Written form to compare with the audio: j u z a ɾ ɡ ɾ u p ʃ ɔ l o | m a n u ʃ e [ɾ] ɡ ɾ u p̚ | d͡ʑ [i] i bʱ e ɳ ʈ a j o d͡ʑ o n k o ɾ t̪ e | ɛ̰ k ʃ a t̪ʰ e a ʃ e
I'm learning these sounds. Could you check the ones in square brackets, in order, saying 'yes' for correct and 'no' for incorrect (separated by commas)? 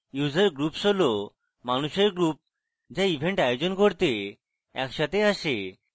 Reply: yes, no